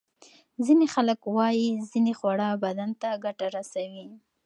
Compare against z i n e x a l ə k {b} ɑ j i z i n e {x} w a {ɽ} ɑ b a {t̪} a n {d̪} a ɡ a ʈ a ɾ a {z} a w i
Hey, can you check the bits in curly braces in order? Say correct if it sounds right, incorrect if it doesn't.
incorrect, correct, correct, incorrect, incorrect, incorrect

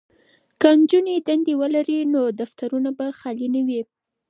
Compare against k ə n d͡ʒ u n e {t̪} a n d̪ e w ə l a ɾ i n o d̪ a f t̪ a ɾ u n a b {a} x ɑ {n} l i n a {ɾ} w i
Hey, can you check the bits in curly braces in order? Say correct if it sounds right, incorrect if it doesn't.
incorrect, correct, incorrect, incorrect

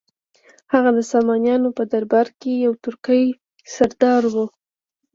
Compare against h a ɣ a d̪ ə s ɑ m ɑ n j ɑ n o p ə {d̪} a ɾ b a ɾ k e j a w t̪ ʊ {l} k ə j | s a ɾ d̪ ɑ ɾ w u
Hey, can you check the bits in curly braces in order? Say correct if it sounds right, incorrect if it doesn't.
correct, incorrect

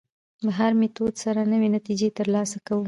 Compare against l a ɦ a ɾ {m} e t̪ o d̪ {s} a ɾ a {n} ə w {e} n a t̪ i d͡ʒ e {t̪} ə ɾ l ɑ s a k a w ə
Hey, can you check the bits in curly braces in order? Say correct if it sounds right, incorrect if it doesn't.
correct, correct, correct, correct, correct

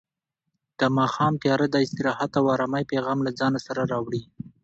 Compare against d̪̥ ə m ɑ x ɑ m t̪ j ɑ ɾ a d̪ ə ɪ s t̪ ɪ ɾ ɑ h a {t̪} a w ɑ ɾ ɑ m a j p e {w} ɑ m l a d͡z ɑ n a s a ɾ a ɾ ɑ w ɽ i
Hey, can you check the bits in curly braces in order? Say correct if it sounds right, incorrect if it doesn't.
correct, incorrect

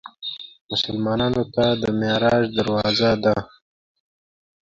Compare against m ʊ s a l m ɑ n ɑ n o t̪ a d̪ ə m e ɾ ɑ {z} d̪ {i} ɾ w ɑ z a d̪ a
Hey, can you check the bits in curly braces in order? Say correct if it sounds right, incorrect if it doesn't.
incorrect, incorrect

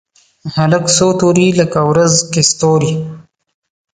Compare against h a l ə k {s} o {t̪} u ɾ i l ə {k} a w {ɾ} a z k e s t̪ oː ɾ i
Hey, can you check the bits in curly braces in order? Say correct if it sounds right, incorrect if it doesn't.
correct, correct, correct, correct

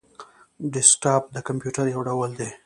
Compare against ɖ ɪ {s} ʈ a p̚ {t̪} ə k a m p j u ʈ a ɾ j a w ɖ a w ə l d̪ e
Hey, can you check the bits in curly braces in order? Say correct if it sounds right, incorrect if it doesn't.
correct, incorrect

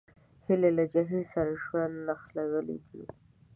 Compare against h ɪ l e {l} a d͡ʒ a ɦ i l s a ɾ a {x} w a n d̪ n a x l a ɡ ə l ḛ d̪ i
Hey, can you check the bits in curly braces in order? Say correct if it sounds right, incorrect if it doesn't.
correct, incorrect

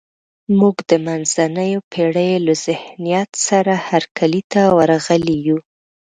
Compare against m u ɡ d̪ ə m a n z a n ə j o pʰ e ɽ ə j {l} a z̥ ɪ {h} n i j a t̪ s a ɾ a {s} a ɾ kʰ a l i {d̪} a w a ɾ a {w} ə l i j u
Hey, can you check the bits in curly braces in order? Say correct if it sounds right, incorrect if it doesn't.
correct, correct, incorrect, incorrect, incorrect

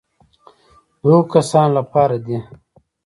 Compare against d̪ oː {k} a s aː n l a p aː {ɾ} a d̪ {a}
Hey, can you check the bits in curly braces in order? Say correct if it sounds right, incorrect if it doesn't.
correct, correct, incorrect

